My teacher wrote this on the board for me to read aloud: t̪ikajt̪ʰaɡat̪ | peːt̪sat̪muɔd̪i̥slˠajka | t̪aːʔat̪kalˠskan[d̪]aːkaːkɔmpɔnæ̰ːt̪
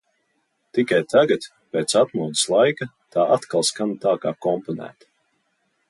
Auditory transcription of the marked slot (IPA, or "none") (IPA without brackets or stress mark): t̪